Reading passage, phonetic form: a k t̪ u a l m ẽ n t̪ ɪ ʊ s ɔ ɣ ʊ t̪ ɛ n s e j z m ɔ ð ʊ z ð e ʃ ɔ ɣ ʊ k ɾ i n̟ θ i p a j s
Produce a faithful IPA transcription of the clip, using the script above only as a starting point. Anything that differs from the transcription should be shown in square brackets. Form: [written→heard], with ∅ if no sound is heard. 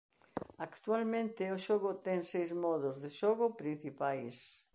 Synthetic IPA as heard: a k t̪ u a l m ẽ n t̪ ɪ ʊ [s→ʃ] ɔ ɣ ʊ t̪ ɛ [n→ŋ] s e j z m ɔ ð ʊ z ð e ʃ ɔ ɣ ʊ [k→p] ɾ i n̟ θ i p a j s